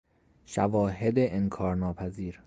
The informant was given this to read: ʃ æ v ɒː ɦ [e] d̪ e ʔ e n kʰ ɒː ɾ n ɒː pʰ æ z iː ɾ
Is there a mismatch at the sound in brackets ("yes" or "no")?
no